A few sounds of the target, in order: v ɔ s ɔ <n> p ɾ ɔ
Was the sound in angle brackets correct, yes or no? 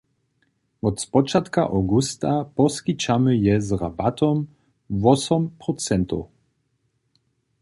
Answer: no